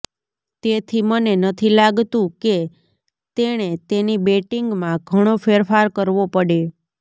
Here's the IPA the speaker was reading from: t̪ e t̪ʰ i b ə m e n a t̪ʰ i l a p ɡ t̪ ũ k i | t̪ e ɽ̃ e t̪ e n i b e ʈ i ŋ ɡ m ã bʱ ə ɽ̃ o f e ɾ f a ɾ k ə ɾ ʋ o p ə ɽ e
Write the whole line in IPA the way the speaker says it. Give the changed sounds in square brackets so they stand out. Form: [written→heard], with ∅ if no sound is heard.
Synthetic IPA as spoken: t̪ e t̪ʰ i [b→m] ə [m→n] e n [a→ə] t̪ʰ i l a [p→∅] ɡ t̪ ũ k [i→e] | t̪ e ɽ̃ e t̪ e n i b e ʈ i ŋ ɡ m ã [bʱ→ɡʱ] ə ɽ̃ o f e ɾ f a ɾ k ə ɾ ʋ o p ə ɽ e